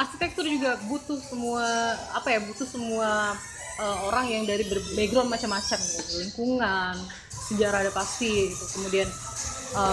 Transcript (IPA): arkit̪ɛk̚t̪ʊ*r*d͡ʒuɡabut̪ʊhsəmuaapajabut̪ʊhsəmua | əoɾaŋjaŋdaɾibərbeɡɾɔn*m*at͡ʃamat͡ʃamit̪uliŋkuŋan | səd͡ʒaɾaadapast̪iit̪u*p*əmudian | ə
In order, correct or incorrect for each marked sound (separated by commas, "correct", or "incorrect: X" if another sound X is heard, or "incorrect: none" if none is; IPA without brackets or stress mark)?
correct, correct, incorrect: k